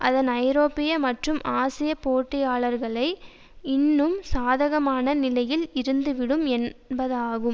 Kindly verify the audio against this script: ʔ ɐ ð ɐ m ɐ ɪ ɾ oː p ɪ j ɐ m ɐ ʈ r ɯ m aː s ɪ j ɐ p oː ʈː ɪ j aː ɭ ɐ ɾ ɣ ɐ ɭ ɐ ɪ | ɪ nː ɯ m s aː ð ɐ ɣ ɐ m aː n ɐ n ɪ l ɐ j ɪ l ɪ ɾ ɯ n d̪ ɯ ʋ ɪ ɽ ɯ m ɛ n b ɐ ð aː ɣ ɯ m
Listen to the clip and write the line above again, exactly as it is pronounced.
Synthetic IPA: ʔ ɐ ð ɐ n ɐ ɪ ɾ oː p ɪ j ɐ m ɐ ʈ r ɯ m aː s ɪ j ɐ p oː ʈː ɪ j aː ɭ ɐ ɾ ɣ ɐ ɭ ɐ ɪ | ɪ nː ɯ m s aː ð ɐ ɣ ɐ m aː n ɐ n ɪ l ɐ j ɪ l ɪ ɾ ɯ n d̪ ɯ ʋ ɪ ɽ ɯ m ɛ n b ɐ ð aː ɣ ɯ m

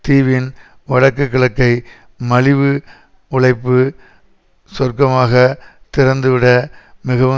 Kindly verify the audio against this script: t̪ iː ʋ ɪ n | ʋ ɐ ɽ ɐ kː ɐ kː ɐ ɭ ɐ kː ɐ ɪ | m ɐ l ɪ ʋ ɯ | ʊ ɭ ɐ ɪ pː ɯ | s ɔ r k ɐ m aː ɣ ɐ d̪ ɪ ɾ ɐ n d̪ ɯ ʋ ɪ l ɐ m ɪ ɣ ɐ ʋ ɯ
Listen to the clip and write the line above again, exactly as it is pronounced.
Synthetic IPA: t̪ iː ʋ ɪ n | ʋ ɐ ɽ ɐ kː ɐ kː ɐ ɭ ɐ kː ɐ ɪ | m ɐ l ɪ ʋ ɯ | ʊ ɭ ɐ ɪ pː ɯ | s ɔ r k ɐ m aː ɣ ɐ t̪ ɪ ɾ ɐ n d̪ ɯ ʋ ɪ ɽ ɐ m ɪ ɣ ɐ ʋ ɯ

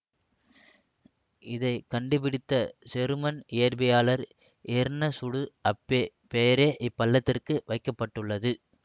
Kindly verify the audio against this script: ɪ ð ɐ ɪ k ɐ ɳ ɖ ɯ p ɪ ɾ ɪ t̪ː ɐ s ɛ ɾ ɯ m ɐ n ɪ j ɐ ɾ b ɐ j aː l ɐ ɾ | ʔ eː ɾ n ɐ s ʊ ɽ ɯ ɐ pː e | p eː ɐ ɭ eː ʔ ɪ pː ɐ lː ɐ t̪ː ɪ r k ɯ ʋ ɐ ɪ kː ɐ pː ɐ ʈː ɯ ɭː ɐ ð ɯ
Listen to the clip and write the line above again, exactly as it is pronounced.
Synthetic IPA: ɪ ð ɐ ɪ k ɐ ɳ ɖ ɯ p ɪ ɽ ɪ t̪ː ɐ s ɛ ɾ ɯ m ɐ n ɪ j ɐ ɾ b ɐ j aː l ɐ ɾ | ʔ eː ɾ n ɐ s ʊ ɽ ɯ ɐ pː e | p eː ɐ ɾ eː ʔ ɪ pː ɐ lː ɐ t̪ː ɪ r k ɯ ʋ ɐ ɪ kː ɐ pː ɐ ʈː ɯ ɭː ɐ ð ɯ

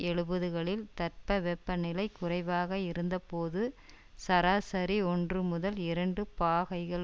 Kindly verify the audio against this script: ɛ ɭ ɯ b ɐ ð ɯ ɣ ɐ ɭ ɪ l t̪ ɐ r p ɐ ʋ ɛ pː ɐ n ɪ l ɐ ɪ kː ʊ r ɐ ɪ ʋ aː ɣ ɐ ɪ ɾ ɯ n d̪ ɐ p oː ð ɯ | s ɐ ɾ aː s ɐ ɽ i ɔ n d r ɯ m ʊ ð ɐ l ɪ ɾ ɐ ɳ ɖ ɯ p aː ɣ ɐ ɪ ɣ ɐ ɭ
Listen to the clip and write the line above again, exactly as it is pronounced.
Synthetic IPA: ɛ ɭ ɯ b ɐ ð ɯ ɣ ɐ ɭ ɪ l t̪ ɐ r p ɐ ʋ ɛ pː ɐ n ɪ l ɐ ɪ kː ʊ r ɐ ɪ ʋ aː ɣ ɐ ɪ ɾ ɯ n d̪ ɐ p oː ð ɯ | s ɐ ɾ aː s ɐ ɾ i ɔ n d r ɯ m ʊ ð ɐ l ɪ ɾ ɐ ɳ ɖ ɯ p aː ɣ ɐ ɪ ɣ ɐ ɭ

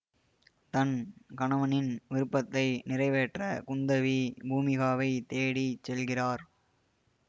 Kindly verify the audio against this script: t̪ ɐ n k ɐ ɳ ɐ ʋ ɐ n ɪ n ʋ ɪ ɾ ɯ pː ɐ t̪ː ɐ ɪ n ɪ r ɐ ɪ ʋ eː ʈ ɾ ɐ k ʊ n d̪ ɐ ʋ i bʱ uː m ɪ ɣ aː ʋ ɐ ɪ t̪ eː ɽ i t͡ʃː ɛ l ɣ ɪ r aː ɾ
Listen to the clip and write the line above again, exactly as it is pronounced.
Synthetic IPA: t̪ ɐ n k ɐ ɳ ɐ ʋ ɐ n ɪ n ʋ ɪ ɾ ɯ pː ɐ t̪ː ɐ ɪ n ɪ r ɐ ɪ ʋ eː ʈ r ɐ k ʊ n d̪ ɐ ʋ i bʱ uː m ɪ ɣ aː ʋ ɐ ɪ t̪ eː ɽ i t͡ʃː ɛ l ɣ ɪ r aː ɾ

